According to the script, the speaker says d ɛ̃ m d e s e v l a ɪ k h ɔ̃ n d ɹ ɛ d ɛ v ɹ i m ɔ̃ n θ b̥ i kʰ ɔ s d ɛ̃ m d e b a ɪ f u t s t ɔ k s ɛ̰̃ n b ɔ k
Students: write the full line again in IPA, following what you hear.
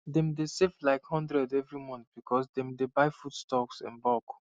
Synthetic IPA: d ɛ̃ m d e s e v l a ɪ k h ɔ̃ n d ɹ ɛ d ɛ v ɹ i m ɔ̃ n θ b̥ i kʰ ɔ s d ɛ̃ m d e b a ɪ f u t s t ɔ k s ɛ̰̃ n b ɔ k